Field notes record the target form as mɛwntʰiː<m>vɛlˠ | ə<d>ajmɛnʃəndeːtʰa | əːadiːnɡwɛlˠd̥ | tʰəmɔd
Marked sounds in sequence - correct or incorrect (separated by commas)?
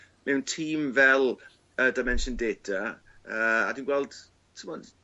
correct, correct